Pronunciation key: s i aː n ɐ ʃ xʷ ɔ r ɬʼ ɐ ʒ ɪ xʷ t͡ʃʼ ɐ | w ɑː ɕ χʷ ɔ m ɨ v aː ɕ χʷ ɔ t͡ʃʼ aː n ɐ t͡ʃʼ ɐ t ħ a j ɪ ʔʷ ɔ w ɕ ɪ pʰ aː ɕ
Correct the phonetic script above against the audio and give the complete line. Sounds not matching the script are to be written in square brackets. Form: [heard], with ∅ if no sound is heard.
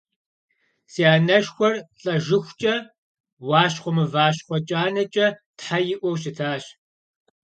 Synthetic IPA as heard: s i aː n ɐ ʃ xʷ ɔ r ɬʼ ɐ ʒ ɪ xʷ t͡ʃʼ ɐ | w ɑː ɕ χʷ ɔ m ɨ v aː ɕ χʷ ɔ t͡ʃʼ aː n ɐ t͡ʃʼ ɐ t ħ a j ɪ ʔʷ ɔ w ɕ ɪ [tʰ] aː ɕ